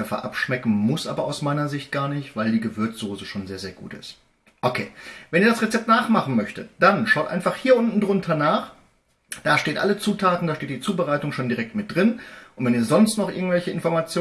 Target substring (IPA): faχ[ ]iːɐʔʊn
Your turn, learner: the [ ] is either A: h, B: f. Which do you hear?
A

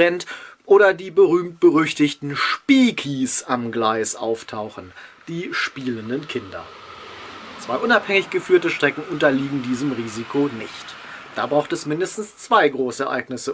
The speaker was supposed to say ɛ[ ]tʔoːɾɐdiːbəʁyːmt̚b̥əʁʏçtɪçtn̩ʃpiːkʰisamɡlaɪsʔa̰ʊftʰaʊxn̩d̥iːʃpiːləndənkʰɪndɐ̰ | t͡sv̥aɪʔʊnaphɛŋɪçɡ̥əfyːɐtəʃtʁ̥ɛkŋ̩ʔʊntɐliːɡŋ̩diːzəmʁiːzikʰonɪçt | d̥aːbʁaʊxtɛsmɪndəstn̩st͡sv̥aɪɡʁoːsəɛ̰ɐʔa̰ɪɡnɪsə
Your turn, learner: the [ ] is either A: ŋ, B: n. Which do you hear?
B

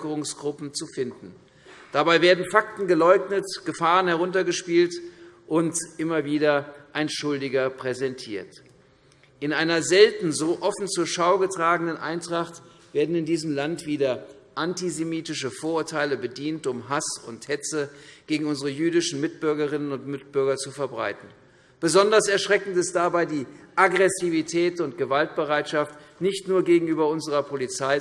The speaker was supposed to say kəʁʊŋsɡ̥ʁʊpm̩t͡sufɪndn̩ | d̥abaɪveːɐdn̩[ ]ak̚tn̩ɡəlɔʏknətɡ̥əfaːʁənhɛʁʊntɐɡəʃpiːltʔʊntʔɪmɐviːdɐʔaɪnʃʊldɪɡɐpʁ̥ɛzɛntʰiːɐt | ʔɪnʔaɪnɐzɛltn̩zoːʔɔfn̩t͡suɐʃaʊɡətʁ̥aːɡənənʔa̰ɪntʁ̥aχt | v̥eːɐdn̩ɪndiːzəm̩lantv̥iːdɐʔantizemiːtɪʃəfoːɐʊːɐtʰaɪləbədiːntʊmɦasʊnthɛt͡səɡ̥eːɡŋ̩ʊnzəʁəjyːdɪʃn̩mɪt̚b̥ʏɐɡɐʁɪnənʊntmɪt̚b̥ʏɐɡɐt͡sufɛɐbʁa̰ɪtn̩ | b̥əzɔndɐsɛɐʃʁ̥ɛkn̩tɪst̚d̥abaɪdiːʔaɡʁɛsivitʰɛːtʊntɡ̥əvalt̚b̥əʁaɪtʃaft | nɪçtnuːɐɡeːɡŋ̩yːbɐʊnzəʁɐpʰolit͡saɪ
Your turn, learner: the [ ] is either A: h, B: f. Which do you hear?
B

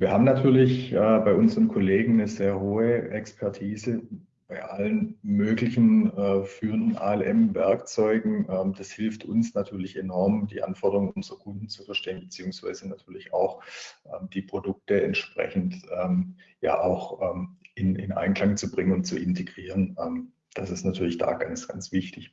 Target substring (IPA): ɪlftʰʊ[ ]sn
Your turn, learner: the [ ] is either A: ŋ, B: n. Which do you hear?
B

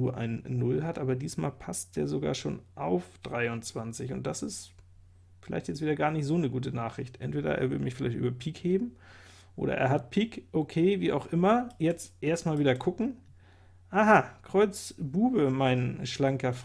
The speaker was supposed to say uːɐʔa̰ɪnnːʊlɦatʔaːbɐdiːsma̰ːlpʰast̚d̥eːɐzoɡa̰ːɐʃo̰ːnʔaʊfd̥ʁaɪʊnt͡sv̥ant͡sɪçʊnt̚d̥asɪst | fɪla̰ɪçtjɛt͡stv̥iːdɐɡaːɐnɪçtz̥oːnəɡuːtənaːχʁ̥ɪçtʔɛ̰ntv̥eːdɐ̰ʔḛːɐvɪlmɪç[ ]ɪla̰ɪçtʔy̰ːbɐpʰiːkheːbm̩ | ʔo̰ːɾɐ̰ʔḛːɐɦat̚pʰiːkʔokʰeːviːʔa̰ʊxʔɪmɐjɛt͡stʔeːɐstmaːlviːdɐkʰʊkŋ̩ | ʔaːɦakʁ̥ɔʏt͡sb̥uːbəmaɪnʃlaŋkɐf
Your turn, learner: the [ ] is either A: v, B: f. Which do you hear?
B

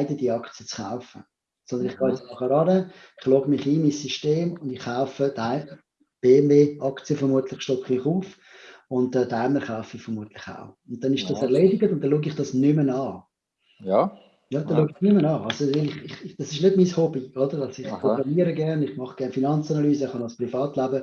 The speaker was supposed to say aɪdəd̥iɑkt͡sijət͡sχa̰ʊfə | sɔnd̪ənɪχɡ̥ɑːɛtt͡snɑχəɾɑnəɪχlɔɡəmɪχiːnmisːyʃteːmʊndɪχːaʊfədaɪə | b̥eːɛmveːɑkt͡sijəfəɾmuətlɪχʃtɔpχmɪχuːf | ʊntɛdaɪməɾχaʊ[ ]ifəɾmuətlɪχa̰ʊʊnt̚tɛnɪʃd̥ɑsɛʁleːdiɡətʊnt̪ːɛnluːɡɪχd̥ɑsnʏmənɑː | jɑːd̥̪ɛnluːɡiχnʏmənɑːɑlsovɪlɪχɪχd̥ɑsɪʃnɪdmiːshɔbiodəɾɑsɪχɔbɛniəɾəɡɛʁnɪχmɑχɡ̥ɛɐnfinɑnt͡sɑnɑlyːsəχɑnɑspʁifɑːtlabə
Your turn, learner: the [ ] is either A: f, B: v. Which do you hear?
A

